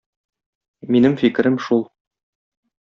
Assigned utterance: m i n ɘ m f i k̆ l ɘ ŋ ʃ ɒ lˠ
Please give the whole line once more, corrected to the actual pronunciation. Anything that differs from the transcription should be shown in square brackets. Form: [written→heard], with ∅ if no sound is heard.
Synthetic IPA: m i n ɘ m f i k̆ [l→ɾ] ɘ [ŋ→m] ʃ [ɒ→u] lˠ